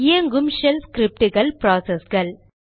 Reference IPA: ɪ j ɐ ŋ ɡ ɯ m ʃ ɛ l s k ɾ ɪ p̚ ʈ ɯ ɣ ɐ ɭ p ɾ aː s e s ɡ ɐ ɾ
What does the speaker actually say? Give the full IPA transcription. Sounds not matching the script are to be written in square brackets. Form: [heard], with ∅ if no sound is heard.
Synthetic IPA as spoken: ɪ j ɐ ŋ ɡ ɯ m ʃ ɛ l s k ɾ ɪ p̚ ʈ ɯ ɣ ɐ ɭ p ɾ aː s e s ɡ ɐ [ɭ]

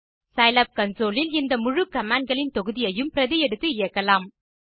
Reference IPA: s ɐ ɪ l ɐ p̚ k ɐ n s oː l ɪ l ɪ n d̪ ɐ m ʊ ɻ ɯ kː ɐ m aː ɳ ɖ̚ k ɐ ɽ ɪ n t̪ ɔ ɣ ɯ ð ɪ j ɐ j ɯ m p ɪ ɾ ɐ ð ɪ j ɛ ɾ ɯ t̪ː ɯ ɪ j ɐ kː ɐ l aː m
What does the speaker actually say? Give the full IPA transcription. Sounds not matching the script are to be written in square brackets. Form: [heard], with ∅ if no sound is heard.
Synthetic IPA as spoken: s ɐ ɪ l ɐ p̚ k ɐ n s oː l ɪ l ɪ n d̪ ɐ m ʊ ɻ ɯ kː ɐ m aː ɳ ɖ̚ [ɡ] ɐ [ɭ] ɪ n t̪ ɔ ɣ ɯ ð ɪ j ɐ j ɯ m p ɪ ɾ ɐ ð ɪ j ɛ [ɽ] ɯ t̪ː ɯ ɪ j ɐ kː ɐ l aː m

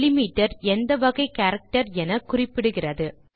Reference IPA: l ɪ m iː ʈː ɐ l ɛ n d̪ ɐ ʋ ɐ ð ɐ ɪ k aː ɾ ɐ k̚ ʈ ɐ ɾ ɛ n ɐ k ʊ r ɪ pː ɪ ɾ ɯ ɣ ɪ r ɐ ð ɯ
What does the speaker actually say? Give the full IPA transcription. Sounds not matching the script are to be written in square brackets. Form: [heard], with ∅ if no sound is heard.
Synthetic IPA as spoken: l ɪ m iː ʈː ɐ [ɾ] ɛ n d̪ ɐ ʋ ɐ [ɣ] ɐ ɪ k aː ɾ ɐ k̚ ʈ ɐ ɾ ɛ n ɐ k ʊ r ɪ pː ɪ [ɽ] ɯ ɣ ɪ r ɐ ð ɯ

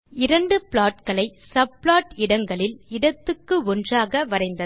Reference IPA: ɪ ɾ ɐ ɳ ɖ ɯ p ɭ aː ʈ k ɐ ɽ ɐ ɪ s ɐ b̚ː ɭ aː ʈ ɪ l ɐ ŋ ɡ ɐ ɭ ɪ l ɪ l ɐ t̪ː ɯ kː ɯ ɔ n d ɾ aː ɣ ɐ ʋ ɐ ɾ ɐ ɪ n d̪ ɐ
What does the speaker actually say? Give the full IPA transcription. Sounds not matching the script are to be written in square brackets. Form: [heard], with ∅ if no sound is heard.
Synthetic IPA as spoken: ɪ ɾ ɐ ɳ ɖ ɯ p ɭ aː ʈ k ɐ [ɭ] ɐ ɪ s ɐ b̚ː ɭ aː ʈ ɪ [ɽ] ɐ ŋ ɡ ɐ ɭ ɪ l ɪ [ɽ] ɐ t̪ː ɯ kː ɯ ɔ n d [r] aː ɣ ɐ ʋ ɐ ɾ ɐ ɪ n d̪ ɐ

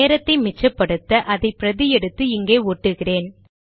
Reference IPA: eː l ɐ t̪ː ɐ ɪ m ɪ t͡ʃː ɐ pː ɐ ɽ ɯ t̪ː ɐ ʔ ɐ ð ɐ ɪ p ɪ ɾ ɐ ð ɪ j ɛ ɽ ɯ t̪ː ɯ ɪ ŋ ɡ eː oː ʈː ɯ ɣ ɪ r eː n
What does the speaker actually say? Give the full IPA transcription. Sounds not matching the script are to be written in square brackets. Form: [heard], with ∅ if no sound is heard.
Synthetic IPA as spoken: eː [ɾ] ɐ t̪ː ɐ ɪ m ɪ t͡ʃː ɐ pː ɐ ɽ ɯ t̪ː ɐ ʔ ɐ ð ɐ ɪ p ɪ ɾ ɐ ð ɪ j ɛ ɽ ɯ t̪ː ɯ ɪ ŋ ɡ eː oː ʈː ɯ ɣ ɪ r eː n

